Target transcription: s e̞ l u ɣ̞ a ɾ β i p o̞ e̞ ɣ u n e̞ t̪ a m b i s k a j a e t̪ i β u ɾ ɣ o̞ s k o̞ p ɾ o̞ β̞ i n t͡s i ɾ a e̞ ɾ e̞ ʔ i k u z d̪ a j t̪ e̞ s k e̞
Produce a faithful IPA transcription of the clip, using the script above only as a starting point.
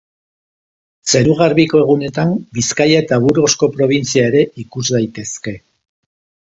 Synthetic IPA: s e̞ ɾ u ɣ̞ a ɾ β i k o̞ e̞ ɣ u n e̞ t̪ a m b i s k a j a e t̪ a β u ɾ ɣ o̞ s k o̞ p ɾ o̞ β̞ i n t͡s i a e̞ ɾ e̞ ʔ i k u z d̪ a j t̪ e̞ s k e̞